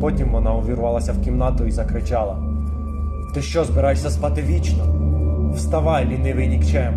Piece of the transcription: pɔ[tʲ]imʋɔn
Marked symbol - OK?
yes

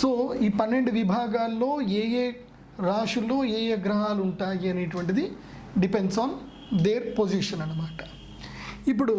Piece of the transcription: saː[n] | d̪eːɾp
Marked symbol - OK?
yes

